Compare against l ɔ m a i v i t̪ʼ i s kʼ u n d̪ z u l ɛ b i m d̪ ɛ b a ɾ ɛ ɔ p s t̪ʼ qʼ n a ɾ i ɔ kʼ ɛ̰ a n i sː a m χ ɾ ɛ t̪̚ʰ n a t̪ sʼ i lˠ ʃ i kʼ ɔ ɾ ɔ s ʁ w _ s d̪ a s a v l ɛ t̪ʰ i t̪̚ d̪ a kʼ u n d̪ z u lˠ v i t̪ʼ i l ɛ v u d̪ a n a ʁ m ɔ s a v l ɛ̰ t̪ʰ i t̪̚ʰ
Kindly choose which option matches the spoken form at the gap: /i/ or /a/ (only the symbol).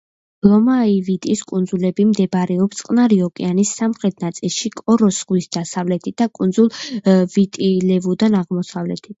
i